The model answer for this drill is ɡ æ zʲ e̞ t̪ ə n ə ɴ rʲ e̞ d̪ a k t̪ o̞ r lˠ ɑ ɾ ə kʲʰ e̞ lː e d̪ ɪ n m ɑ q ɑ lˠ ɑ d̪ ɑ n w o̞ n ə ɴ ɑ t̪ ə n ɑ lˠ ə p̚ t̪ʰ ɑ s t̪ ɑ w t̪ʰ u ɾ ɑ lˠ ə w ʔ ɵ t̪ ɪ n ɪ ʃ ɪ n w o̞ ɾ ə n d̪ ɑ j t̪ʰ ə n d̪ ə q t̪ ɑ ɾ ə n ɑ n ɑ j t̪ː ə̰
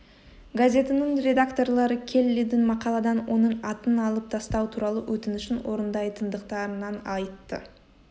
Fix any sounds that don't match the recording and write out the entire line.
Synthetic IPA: ɡ a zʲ e̞ t̪ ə n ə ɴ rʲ e̞ d̪ a k t̪ o̞ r lˠ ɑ ɾ ə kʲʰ e̞ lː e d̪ ɪ n m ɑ q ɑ lˠ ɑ d̪ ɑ n w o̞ n ə ɴ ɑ t̪ ə n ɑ lˠ ə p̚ t̪ʰ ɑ s t̪ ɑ w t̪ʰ u ɾ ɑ lˠ ə w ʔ ɵ t̪ ɪ n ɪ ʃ ɪ n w o̞ ɾ ə n d̪ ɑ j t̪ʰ ə n d̪ ə q t̪ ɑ ɾ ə n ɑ n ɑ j t̪ː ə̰